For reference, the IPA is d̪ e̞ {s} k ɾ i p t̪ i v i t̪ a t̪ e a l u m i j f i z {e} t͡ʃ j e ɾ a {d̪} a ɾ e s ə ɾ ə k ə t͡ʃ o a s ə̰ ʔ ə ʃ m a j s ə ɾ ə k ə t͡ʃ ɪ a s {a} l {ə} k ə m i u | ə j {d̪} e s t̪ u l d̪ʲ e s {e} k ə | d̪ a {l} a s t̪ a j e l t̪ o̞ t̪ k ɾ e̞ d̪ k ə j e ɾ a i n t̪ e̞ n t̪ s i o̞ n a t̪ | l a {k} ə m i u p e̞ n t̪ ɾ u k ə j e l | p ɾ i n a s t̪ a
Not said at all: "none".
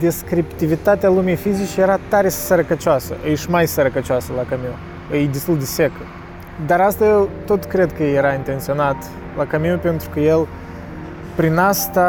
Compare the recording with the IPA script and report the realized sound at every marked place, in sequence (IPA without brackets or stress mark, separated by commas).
s, i, t̪, ə, a, d̪, e, ɾ, k